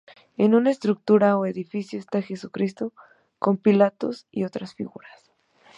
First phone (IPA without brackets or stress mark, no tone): e̞